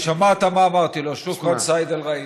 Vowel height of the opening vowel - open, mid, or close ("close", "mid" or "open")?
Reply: open